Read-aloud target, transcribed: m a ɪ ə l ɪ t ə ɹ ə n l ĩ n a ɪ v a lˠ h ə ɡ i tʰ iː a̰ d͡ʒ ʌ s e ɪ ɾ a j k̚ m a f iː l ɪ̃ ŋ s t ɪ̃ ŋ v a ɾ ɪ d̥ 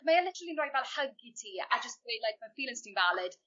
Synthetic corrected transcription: m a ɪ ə l ɪ t ə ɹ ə l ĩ n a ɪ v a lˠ h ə ɡ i tʰ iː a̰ d͡ʒ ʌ s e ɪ l a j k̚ m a f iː l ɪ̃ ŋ s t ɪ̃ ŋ v a l ɪ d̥